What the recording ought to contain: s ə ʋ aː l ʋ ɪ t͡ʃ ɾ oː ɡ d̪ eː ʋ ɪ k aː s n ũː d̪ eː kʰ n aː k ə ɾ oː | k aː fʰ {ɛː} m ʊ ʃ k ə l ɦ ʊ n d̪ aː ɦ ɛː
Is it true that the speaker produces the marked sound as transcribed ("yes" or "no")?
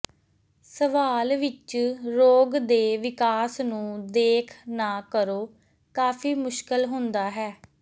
no